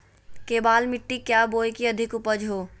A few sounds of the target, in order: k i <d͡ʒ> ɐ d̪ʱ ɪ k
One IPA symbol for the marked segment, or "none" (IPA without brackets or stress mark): none